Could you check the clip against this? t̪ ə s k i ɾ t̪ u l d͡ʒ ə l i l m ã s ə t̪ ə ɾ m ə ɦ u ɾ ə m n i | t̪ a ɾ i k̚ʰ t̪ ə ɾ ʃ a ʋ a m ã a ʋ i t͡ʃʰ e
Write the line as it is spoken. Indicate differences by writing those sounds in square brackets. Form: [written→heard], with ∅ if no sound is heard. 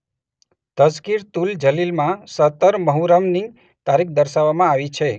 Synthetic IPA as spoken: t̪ ə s k i ɾ t̪ u l d͡ʒ ə l i l m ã s ə t̪ ə ɾ m ə ɦ u ɾ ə m n i | t̪ a ɾ i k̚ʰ [t̪→d̪] ə ɾ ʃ a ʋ a m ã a ʋ i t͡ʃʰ e